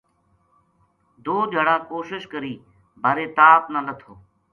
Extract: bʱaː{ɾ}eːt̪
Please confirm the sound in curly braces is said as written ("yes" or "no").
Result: yes